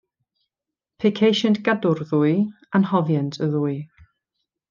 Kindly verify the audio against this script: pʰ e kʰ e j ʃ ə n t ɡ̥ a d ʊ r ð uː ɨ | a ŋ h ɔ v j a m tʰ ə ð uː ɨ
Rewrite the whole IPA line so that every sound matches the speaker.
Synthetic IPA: pʰ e kʰ e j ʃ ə n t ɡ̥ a d ʊ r ð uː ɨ | a n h ɔ v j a n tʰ ə ð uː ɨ

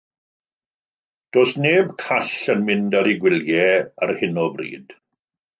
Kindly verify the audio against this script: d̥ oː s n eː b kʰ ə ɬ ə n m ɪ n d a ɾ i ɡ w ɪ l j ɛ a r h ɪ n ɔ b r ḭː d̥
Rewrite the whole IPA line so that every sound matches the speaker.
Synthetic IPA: d̥ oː s n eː b kʰ a ɬ ə n m ɪ n d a ɾ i ɡ w ɪ l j ɛ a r h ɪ n ɔ b r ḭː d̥

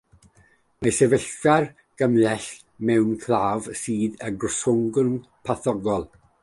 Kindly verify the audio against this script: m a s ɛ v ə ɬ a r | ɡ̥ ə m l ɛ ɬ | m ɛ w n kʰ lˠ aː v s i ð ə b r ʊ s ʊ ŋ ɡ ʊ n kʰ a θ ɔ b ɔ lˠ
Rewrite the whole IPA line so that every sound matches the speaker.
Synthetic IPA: m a s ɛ v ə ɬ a r | ɡ̥ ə m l ɛ ɬ | m ɛ w n kʰ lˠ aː v s iː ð ə ɡ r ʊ s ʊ ŋ ɡ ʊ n pʰ a θ ɔ ɡ ɔ lˠ

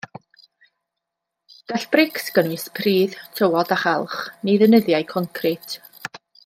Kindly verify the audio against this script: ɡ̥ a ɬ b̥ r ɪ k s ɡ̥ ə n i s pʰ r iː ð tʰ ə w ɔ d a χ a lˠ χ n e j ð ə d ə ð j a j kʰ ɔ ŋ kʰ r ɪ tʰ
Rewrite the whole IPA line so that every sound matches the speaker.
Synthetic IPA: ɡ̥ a ɬ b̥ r ɪ k s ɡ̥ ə n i s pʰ r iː ð tʰ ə w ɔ d a χ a lˠ χ n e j ð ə n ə ð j a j kʰ ɔ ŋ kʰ r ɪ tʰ

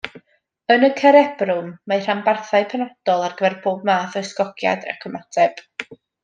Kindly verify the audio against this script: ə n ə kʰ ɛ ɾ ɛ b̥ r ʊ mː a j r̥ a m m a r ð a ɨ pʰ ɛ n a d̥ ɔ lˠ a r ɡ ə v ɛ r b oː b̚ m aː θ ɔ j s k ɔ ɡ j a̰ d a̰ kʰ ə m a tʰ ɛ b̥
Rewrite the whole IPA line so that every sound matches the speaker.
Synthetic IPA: ə n ə kʰ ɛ ɾ ɛ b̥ r ʊ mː a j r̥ a m b a r θ a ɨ pʰ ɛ n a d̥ ɔ lˠ a r ɡ ə v ɛ r b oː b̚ m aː θ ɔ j s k ɔ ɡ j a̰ d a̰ kʰ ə m a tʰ ɛ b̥

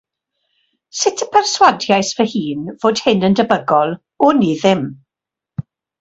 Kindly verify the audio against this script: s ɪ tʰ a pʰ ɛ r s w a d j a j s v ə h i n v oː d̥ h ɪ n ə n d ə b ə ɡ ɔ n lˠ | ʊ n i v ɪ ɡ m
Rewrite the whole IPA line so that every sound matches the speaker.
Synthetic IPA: s ɪ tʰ ə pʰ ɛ r s w a d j a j s v ə h iː n v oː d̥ h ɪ n ə n d ə b ə ɡ ɔ lˠ | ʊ n i ð ɪ m

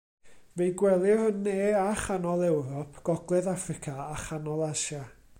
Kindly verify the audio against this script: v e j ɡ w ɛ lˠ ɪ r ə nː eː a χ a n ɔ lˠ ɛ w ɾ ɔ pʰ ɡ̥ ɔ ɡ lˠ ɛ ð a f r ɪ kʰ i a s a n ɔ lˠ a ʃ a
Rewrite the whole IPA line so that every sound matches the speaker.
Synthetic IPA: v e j ɡ w ɛ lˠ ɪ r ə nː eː a χ a n ɔ lˠ ɛ w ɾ ɔ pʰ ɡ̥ ɔ ɡ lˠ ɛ ð a f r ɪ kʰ a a χ a n ɔ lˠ a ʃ a

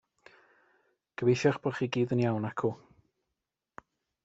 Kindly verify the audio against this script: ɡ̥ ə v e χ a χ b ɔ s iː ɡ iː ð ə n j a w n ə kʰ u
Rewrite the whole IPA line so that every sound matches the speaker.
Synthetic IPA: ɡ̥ ə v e ʃ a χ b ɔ χ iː ɡ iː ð ə n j a w n a kʰ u

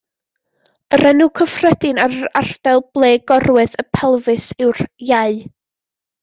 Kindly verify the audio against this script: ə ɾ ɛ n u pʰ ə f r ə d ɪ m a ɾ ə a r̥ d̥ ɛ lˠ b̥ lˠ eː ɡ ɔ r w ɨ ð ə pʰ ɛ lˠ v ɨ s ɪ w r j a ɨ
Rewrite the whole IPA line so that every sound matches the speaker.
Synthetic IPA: ə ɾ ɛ n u kʰ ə f r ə d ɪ n a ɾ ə a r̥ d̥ ɛ lˠ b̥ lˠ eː ɡ ɔ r w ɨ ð ə pʰ ɛ lˠ v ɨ s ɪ w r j a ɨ

